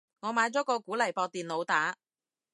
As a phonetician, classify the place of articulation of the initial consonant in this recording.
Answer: velar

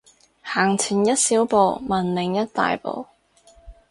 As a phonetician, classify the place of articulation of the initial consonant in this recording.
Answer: glottal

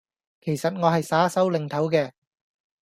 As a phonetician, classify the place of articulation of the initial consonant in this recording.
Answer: velar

